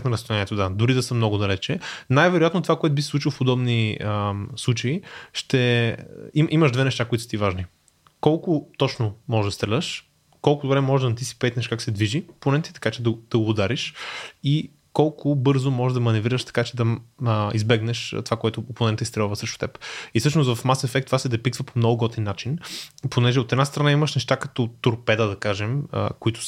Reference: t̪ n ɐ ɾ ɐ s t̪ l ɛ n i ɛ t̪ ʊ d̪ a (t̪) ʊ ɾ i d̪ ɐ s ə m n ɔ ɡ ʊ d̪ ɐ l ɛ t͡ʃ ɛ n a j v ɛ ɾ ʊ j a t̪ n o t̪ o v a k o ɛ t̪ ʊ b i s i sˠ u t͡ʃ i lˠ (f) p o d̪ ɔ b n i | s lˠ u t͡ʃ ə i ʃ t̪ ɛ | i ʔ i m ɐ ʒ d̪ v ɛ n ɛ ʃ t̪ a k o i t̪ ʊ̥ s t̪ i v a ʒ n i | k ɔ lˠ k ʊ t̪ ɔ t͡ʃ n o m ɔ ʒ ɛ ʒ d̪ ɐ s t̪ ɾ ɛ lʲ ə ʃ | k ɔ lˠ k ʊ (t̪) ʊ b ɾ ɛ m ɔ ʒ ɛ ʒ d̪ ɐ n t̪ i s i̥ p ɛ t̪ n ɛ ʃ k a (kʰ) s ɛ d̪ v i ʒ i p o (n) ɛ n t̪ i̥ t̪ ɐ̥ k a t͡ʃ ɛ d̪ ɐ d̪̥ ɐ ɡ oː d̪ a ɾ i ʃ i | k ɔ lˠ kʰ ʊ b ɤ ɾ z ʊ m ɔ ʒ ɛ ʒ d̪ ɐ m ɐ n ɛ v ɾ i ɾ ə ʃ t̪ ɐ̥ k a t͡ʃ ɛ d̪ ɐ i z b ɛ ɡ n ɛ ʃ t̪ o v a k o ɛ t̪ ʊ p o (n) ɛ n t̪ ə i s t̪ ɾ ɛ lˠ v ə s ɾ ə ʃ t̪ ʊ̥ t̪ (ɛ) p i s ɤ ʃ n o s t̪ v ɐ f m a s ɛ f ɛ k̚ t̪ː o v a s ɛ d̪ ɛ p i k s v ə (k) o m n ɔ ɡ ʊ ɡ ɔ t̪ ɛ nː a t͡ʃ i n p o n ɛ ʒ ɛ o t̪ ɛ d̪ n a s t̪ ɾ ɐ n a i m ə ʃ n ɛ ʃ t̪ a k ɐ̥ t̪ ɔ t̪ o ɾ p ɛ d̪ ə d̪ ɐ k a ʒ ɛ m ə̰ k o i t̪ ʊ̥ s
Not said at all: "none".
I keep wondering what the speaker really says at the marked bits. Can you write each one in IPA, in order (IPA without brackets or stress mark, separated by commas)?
d̪, f, d̪, k, n, n, ɛ, p